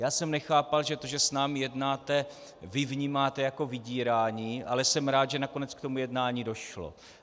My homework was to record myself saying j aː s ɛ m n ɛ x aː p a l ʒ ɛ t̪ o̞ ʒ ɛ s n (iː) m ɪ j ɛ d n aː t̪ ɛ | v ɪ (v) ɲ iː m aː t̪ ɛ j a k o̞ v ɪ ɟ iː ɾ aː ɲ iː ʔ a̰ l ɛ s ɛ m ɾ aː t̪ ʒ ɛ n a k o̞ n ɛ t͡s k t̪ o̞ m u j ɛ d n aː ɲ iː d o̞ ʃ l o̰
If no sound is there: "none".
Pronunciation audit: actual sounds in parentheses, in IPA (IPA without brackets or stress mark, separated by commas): aː, v